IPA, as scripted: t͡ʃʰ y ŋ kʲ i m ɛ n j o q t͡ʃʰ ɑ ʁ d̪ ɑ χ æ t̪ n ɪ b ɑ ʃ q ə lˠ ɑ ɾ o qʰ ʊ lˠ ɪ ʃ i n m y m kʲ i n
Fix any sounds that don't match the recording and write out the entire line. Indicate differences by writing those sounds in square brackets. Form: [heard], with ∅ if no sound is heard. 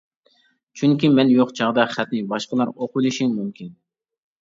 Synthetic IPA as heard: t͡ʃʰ y ŋ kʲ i m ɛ n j o q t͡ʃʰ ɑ ʁ d̪ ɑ χ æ t̪ n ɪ b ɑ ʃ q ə lˠ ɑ ɾ o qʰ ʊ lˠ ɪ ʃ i [ŋ] m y m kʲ i n